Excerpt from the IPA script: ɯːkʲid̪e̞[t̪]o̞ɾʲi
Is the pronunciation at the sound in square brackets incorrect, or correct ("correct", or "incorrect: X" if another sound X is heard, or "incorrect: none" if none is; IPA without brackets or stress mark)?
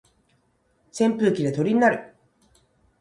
correct